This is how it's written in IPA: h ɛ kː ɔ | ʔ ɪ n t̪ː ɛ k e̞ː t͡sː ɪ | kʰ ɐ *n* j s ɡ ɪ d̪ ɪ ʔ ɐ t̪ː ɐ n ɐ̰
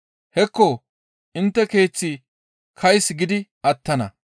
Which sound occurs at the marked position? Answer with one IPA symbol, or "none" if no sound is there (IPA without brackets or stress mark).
none